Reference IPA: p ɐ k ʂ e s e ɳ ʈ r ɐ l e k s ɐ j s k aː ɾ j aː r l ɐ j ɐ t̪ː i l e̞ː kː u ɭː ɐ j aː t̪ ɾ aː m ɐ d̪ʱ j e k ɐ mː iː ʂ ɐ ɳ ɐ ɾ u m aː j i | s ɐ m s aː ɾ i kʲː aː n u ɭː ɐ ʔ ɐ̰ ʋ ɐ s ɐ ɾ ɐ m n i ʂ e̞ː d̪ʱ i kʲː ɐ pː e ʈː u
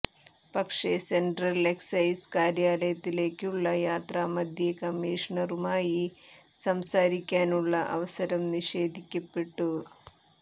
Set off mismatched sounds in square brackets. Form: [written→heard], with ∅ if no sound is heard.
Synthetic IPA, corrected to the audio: p ɐ k ʂ e s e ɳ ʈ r ɐ l e k s ɐ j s k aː ɾ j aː [r→∅] l ɐ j ɐ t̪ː i l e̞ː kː u ɭː ɐ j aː t̪ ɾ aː m ɐ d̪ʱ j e k ɐ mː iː ʂ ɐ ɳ ɐ ɾ u m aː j i | s ɐ m s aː ɾ i kʲː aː n u ɭː ɐ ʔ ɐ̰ ʋ ɐ s ɐ ɾ ɐ m n i ʂ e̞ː d̪ʱ i kʲː ɐ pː e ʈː u

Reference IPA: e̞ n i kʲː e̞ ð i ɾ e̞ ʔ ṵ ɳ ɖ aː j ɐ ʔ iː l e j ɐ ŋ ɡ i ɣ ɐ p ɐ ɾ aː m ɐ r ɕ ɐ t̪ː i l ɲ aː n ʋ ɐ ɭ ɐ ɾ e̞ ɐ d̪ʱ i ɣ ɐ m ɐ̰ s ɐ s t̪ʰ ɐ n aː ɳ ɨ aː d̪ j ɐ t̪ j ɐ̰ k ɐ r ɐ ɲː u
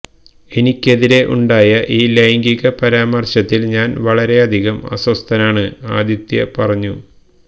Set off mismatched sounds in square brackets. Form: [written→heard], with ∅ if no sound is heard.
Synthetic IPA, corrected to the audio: e̞ n i kʲː e̞ ð i ɾ e̞ ʔ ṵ ɳ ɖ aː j ɐ ʔ iː l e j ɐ ŋ ɡ i ɣ ɐ p ɐ ɾ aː m ɐ r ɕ ɐ t̪ː i l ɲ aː n ʋ ɐ ɭ ɐ ɾ e̞ ɐ d̪ʱ i ɣ ɐ m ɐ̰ s ɐ s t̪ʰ ɐ n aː ɳ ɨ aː d̪ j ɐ t̪ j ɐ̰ [k→p] ɐ r ɐ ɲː u

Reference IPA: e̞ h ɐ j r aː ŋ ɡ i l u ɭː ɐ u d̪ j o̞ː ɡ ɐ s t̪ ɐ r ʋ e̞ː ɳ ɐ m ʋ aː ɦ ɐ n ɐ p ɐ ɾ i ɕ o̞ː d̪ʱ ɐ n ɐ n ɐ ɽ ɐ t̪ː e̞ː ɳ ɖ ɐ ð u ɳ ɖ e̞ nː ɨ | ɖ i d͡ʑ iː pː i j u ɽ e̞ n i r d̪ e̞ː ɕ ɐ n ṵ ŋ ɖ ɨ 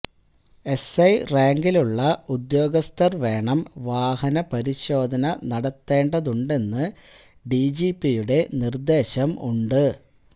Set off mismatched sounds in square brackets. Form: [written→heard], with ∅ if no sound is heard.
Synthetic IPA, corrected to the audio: e̞ [h→s] ɐ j r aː ŋ ɡ i l u ɭː ɐ u d̪ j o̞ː ɡ ɐ s t̪ ɐ r ʋ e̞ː ɳ ɐ m ʋ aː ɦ ɐ n ɐ p ɐ ɾ i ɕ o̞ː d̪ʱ ɐ n ɐ n ɐ ɽ ɐ t̪ː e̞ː ɳ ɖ ɐ ð u ɳ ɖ e̞ nː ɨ | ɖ i d͡ʑ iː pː i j u ɽ e̞ n i r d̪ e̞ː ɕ ɐ [n→m] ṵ [ŋ→ɳ] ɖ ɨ

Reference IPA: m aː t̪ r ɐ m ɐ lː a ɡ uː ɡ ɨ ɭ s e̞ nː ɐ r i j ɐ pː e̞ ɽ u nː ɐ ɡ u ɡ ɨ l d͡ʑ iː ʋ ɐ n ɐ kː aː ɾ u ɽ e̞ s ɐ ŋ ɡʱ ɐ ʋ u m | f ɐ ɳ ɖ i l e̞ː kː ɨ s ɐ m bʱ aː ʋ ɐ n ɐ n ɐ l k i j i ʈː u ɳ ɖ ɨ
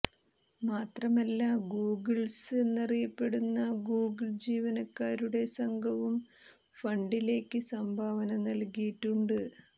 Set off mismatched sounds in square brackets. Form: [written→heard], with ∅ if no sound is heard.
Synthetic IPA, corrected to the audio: m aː t̪ r ɐ m ɐ lː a ɡ uː ɡ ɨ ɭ s e̞ nː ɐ r i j ɐ pː e̞ ɽ u nː ɐ ɡ [u→uː] ɡ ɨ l d͡ʑ iː ʋ ɐ n ɐ kː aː ɾ u ɽ e̞ s ɐ ŋ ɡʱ ɐ ʋ u m | f ɐ ɳ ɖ i l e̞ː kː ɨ s ɐ m bʱ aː ʋ ɐ n ɐ n ɐ l k i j i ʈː u ɳ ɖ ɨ

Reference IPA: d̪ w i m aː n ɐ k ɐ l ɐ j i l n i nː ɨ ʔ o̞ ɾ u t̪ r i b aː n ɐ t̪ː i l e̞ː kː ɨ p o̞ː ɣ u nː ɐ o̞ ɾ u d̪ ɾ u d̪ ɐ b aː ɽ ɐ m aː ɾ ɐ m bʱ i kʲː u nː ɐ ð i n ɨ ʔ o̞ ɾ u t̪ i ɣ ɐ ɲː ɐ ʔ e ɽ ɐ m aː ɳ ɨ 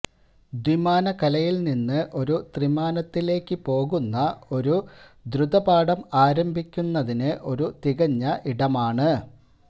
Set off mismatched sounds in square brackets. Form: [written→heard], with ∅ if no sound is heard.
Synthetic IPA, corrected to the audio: d̪ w i m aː n ɐ k ɐ l ɐ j i l n i nː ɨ ʔ o̞ ɾ u t̪ r i [b→m] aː n ɐ t̪ː i l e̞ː kː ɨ p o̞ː ɣ u nː ɐ o̞ ɾ u d̪ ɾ u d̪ ɐ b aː ɽ ɐ m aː ɾ ɐ m bʱ i kʲː u nː ɐ ð i n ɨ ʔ o̞ ɾ u t̪ i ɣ ɐ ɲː ɐ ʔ [e→i] ɽ ɐ m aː ɳ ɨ

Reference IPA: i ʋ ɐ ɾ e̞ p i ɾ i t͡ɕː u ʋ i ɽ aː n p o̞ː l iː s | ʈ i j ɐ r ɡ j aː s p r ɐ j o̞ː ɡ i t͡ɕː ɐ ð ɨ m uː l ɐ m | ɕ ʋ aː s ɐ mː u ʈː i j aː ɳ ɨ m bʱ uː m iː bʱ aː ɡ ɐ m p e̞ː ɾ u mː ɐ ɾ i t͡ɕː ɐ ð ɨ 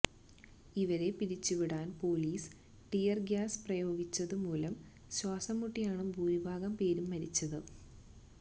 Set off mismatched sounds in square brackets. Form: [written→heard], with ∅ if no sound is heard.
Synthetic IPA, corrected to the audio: i ʋ ɐ ɾ e̞ p i ɾ i t͡ɕː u ʋ i ɽ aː n p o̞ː l iː s | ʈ i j ɐ r ɡ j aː s p r ɐ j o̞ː ɡ i t͡ɕː ɐ ð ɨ m uː l ɐ m | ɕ [ʋ→w] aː s ɐ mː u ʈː i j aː ɳ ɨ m bʱ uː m [iː→i] bʱ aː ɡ ɐ m p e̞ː ɾ u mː ɐ ɾ i t͡ɕː ɐ ð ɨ

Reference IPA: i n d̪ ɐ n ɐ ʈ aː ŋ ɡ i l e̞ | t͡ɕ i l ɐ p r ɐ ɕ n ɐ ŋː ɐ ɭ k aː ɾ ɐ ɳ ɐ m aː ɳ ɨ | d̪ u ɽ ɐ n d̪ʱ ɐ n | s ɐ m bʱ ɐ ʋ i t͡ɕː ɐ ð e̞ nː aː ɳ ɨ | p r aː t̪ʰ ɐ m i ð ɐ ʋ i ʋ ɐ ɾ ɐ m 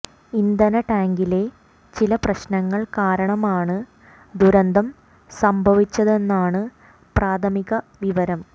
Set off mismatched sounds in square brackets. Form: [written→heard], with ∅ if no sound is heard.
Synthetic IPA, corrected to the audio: i n d̪ ɐ n ɐ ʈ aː ŋ ɡ i l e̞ | t͡ɕ i l ɐ p r ɐ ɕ n ɐ ŋː ɐ ɭ k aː ɾ ɐ ɳ ɐ m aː ɳ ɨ | d̪ u [ɽ→ɾ] ɐ n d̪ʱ ɐ [n→m] | s ɐ m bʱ ɐ ʋ i t͡ɕː ɐ ð e̞ nː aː ɳ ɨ | p r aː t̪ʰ ɐ m i [ð→ɣ] ɐ ʋ i ʋ ɐ ɾ ɐ m

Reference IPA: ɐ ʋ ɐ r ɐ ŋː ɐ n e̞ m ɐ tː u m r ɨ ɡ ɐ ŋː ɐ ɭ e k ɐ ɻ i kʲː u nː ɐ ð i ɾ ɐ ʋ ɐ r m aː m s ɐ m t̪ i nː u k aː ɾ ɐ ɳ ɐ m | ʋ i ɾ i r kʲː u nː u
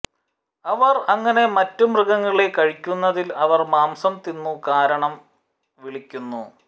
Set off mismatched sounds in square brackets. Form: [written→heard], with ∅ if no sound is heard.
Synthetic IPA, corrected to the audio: ɐ ʋ ɐ r ɐ ŋː ɐ n e̞ m ɐ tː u m r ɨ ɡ ɐ ŋː ɐ ɭ e k ɐ ɻ i kʲː u nː ɐ ð i [ɾ→l] ɐ ʋ ɐ r m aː m s ɐ m t̪ i nː u k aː ɾ ɐ ɳ ɐ m | ʋ i [ɾ→ɭ] i [r→∅] kʲː u nː u

